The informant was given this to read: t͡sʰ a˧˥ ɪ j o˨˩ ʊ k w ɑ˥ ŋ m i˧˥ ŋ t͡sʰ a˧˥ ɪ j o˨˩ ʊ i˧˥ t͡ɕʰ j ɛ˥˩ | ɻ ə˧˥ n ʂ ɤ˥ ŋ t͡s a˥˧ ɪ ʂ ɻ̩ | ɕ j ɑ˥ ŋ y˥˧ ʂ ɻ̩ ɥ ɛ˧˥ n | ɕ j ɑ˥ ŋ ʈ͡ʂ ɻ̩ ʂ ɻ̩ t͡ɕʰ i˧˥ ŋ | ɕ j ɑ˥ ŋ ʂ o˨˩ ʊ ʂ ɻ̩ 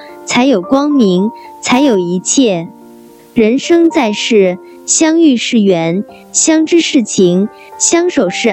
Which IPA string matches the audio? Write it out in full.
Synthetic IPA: t͡sʰ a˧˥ ɪ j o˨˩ ʊ k w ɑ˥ ŋ m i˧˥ ŋ t͡sʰ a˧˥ ɪ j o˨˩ ʊ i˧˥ t͡ɕʰ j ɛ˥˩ | ɻ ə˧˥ n ʂ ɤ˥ ŋ t͡s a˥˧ ɪ ʂ ɻ̩ | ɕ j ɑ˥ ŋ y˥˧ ʂ ɻ̩ ɥ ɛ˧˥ n | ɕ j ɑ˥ ŋ ʈ͡ʂ ɻ̩ ʂ ɻ̩ t͡ɕʰ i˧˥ ŋ | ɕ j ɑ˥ ŋ ʂ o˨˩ ʊ ʂ ɻ̩